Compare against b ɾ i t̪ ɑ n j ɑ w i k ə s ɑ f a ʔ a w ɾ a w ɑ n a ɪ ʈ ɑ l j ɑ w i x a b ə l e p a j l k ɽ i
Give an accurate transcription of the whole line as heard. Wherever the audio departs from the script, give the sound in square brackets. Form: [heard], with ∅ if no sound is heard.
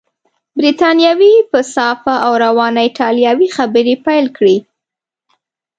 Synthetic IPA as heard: b ɾ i t̪ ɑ n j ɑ w i [p] ə s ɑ f a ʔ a w ɾ a w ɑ n a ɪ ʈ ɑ l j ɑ w i x a b ə [ɾ] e p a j l k ɽ i